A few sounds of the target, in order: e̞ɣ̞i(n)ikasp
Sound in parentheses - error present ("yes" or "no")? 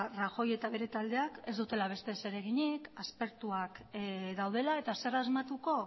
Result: yes